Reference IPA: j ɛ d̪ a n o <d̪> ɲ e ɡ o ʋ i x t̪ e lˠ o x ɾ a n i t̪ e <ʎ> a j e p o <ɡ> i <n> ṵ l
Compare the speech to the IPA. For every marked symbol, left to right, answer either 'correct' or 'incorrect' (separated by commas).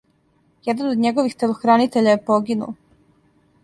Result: correct, correct, correct, correct